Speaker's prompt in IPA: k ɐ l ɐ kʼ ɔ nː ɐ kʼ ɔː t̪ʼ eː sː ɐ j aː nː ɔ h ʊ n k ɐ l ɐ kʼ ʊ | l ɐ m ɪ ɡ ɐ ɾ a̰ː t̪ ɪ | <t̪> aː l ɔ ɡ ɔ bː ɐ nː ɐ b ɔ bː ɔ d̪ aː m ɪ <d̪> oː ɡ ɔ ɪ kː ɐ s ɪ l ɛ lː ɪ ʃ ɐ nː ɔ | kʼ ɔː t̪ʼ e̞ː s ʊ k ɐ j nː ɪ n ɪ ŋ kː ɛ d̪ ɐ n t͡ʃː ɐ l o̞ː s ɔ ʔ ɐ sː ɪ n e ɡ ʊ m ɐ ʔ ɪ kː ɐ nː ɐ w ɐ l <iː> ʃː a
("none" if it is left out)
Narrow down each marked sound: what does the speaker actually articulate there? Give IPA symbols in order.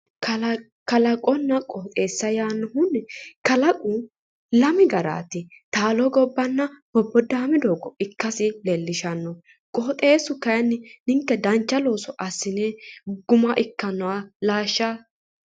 t̪, d̪, aː

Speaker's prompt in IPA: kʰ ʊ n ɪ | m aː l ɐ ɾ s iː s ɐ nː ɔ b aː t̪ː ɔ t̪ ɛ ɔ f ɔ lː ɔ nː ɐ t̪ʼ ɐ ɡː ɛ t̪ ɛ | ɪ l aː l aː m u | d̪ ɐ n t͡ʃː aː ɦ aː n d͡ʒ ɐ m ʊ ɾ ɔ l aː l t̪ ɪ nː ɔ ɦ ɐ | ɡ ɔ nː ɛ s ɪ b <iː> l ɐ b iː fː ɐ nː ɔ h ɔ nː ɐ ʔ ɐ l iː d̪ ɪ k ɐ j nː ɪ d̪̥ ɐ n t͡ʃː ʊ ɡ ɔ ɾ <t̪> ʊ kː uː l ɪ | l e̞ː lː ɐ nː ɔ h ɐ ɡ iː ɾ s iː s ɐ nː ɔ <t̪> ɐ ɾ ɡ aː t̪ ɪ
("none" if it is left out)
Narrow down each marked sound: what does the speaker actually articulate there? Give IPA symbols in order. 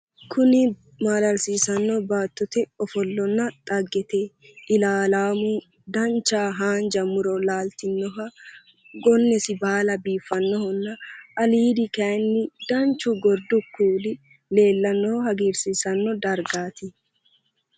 aː, d̪, d̪

